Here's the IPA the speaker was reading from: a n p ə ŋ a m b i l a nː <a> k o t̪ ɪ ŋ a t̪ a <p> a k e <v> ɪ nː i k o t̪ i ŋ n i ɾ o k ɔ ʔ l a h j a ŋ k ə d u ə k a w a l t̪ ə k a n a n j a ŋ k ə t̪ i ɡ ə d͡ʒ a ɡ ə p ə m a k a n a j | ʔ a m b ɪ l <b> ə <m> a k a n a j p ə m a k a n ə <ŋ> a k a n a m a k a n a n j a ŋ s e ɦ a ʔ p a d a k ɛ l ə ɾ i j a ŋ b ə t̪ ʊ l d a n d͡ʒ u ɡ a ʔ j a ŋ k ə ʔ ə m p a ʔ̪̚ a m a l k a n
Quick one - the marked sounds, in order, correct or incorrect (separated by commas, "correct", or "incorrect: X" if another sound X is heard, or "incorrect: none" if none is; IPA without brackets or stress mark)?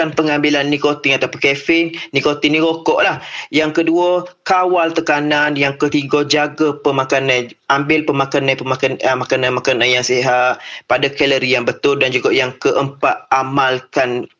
incorrect: i, correct, incorrect: f, incorrect: p, correct, incorrect: m